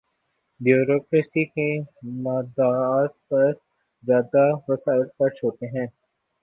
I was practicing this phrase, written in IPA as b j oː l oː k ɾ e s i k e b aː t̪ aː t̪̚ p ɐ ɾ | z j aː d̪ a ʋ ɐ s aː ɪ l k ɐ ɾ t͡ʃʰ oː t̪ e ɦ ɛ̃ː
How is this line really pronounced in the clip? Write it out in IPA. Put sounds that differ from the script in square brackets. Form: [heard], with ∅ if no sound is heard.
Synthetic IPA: b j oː [ɾ] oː k ɾ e s i k e [m] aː [d̪] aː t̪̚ p ɐ ɾ | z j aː d̪ a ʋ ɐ s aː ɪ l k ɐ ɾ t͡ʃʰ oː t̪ e ɦ ɛ̃ː